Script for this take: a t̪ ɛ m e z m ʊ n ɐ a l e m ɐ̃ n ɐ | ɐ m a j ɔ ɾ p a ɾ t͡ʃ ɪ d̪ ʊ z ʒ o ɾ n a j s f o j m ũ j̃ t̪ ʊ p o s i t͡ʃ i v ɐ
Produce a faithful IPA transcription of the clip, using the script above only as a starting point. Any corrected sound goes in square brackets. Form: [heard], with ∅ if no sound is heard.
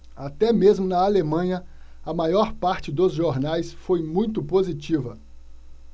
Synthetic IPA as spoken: a t̪ ɛ m e z m ʊ n ɐ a l e m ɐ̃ [ɲ] ɐ | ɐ m a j ɔ ɾ p a ɾ t͡ʃ ɪ d̪ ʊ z ʒ o ɾ n a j s f o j m ũ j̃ t̪ ʊ p o [z] i t͡ʃ i v ɐ